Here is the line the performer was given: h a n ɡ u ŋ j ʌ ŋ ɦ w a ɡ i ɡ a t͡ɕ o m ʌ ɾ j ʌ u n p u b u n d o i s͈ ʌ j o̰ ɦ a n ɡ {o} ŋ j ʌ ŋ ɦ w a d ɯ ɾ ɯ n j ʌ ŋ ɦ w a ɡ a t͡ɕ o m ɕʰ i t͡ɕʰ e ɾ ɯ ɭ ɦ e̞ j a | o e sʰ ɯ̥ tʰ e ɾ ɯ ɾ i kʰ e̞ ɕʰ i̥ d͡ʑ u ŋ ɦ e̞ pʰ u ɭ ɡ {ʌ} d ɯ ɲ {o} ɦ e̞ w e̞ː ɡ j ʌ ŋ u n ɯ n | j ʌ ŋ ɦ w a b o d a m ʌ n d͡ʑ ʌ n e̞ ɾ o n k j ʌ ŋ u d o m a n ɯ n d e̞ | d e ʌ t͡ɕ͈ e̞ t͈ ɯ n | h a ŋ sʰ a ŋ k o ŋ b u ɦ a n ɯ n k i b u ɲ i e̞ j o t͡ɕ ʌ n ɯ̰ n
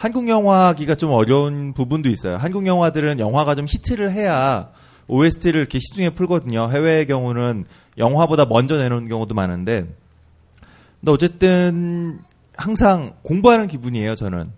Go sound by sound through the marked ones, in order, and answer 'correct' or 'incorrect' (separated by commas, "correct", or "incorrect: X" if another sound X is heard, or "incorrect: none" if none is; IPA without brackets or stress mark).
incorrect: u, correct, correct